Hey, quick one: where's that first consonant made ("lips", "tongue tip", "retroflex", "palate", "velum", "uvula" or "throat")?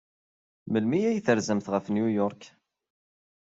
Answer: lips